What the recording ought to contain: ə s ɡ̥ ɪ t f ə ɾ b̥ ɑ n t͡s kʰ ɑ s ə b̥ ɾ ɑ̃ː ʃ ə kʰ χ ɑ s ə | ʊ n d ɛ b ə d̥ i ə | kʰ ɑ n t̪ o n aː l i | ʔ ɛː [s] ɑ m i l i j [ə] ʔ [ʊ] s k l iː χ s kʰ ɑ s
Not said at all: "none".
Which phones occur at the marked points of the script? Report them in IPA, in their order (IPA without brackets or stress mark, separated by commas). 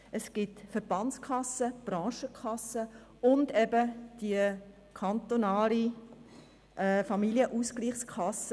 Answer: f, ə, u